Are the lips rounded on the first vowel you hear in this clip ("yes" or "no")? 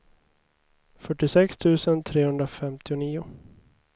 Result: yes